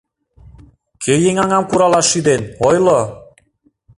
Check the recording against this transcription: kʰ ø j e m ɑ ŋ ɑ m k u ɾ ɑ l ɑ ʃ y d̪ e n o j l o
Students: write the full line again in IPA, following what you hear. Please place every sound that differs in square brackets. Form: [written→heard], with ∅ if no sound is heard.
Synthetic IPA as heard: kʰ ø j e [m→ŋ] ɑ ŋ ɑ m k u ɾ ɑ l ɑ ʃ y d̪ e n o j l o